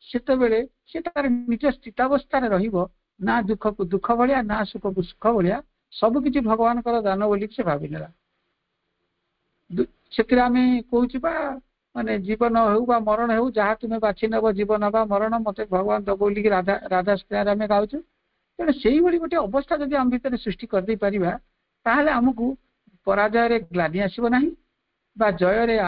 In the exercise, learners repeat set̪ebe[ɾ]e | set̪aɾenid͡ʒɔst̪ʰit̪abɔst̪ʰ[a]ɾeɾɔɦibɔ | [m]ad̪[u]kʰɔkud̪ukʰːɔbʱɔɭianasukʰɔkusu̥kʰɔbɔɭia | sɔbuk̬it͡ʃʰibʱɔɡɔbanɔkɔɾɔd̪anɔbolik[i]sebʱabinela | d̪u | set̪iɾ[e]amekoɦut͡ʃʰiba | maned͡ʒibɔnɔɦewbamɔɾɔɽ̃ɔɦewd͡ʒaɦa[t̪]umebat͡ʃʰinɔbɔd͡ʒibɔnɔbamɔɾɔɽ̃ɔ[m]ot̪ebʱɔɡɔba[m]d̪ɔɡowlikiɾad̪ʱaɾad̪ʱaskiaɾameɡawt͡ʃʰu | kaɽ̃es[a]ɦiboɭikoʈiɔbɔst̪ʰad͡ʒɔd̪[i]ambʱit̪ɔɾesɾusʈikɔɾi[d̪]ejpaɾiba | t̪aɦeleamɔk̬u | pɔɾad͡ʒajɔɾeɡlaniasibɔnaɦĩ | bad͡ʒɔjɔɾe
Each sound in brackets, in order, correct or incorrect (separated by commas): incorrect, correct, incorrect, correct, correct, correct, correct, correct, incorrect, incorrect, correct, correct